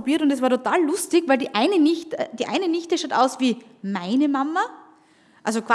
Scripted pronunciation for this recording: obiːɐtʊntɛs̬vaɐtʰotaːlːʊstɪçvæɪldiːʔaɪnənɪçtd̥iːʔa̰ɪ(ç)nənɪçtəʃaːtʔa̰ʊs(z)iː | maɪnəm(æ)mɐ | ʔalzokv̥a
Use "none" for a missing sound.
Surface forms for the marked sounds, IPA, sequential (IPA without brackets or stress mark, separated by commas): none, v, a